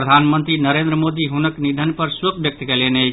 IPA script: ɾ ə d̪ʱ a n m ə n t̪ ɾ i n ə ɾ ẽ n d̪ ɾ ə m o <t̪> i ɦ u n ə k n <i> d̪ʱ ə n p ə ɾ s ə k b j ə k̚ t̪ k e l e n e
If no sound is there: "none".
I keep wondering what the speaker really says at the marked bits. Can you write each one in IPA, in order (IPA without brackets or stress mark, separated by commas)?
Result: d̪, i